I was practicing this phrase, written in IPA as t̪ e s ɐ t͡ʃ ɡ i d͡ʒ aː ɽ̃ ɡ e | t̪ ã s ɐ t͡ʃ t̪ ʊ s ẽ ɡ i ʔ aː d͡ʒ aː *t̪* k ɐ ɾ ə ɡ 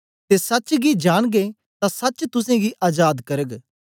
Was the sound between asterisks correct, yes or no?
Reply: no